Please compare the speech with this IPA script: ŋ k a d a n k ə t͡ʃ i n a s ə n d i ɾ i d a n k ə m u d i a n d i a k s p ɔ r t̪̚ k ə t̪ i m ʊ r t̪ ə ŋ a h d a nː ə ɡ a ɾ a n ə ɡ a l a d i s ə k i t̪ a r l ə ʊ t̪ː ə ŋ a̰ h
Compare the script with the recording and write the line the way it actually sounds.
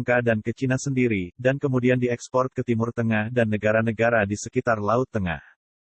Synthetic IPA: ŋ k a d a n k ə t͡ʃ i n a s ə n d i ɾ i d a n k ə m u d i a n d i ɛ k s p ɔ r t̪̚ k ə t̪ i m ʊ r t̪ ə ŋ a h d a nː ə ɡ a ɾ a n ə ɡ a ɾ a d i s ə k i t̪ a r l a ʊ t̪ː ə ŋ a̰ h